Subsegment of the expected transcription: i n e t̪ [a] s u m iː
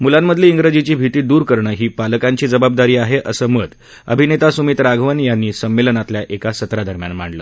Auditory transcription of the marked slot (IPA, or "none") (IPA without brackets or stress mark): a